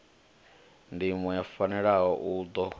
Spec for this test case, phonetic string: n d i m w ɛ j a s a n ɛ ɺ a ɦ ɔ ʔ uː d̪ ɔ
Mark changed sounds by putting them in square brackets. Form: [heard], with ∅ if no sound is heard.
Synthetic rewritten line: n d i m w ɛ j a [f] a n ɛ ɺ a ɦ ɔ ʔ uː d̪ ɔ